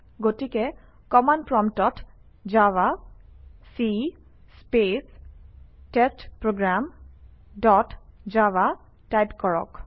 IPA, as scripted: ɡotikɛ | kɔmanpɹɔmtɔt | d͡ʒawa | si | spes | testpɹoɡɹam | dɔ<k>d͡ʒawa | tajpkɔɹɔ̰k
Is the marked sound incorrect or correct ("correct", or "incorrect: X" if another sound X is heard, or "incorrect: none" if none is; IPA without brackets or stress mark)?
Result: incorrect: t